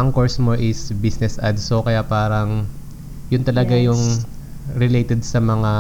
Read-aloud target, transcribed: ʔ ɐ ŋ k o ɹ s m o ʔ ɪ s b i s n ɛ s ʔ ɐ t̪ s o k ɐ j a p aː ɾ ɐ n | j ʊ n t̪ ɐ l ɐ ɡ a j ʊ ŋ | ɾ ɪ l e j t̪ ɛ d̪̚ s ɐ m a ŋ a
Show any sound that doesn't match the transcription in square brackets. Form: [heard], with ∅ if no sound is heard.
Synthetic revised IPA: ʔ ɐ ŋ k o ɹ s m o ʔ ɪ s b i s n ɛ s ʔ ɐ [d̪] s o k ɐ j a p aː ɾ ɐ [ŋ] | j ʊ n t̪ ɐ l ɐ ɡ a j ʊ ŋ | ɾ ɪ l e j t̪ ɛ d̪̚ s ɐ m [ɐ] ŋ a